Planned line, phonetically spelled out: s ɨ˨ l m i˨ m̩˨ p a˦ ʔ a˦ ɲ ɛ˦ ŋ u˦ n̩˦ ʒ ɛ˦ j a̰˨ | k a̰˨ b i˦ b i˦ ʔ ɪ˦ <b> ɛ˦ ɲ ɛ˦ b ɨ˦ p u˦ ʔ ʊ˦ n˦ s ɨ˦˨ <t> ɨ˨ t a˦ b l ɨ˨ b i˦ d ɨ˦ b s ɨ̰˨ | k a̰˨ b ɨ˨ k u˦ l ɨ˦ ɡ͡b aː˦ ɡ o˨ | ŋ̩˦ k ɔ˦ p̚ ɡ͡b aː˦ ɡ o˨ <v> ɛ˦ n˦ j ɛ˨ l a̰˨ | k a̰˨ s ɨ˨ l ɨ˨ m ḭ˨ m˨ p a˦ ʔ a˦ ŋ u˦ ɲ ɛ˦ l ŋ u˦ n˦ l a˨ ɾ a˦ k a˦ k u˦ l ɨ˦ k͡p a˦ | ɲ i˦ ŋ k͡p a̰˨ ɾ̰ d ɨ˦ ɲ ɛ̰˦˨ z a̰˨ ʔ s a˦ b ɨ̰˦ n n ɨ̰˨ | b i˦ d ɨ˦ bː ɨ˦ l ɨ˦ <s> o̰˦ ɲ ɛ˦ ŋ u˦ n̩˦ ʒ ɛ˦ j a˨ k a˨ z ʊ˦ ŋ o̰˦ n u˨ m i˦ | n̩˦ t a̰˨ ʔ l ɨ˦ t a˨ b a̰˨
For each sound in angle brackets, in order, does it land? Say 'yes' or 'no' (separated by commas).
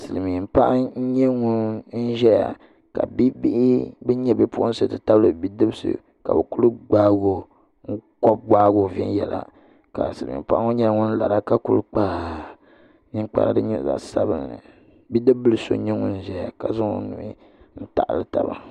yes, yes, yes, yes